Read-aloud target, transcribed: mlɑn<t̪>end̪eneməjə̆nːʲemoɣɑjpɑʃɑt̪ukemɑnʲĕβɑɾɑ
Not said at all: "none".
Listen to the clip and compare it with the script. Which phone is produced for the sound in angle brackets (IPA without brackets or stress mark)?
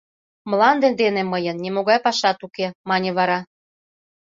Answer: d̪